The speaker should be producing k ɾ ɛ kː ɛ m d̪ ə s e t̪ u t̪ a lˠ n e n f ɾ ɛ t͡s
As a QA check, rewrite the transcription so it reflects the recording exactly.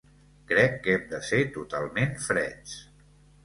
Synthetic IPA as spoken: k ɾ ɛ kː ɛ m d̪ ə s e t̪ u t̪ a lˠ m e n f ɾ ɛ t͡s